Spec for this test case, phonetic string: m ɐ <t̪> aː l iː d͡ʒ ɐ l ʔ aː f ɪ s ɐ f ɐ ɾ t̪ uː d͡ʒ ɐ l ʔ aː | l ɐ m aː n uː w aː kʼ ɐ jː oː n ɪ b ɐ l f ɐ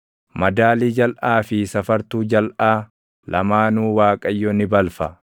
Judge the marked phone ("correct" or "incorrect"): incorrect